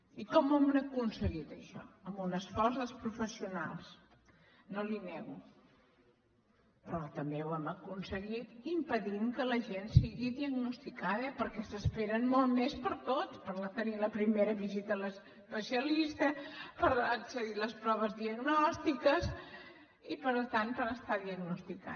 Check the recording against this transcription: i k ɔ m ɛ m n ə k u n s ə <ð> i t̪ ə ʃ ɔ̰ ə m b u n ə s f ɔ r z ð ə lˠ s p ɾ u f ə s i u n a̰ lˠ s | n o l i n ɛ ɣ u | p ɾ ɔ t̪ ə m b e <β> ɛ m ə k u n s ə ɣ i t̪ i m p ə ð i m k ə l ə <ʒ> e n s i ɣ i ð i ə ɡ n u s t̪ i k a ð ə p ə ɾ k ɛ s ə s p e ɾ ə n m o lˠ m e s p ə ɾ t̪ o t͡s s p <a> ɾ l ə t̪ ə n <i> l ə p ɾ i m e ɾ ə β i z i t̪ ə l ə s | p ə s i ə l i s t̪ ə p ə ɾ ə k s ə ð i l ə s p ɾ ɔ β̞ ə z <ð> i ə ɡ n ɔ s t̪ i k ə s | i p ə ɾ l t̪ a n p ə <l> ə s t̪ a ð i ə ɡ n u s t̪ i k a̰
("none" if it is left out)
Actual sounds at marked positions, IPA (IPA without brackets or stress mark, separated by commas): ɣ, w, ʒ, ə, i, ð, ɾ